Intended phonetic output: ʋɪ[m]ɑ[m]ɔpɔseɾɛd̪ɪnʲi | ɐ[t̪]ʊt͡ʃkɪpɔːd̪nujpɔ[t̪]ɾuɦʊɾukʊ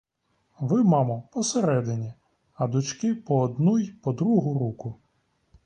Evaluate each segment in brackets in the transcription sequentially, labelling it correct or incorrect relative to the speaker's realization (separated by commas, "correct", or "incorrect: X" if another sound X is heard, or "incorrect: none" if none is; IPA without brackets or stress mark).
correct, correct, incorrect: d̪, incorrect: d̪